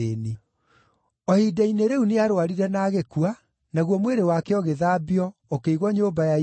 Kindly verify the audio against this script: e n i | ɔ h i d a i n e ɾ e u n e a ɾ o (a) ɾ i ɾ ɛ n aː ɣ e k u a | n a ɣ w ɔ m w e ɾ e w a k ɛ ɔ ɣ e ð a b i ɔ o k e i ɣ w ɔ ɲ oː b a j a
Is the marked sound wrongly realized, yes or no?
no